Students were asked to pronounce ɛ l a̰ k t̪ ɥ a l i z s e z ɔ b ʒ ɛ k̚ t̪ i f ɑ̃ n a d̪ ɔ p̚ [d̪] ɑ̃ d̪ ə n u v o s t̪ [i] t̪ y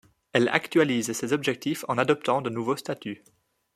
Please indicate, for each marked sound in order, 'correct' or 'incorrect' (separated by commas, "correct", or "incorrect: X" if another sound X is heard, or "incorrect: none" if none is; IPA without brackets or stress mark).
incorrect: t̪, incorrect: a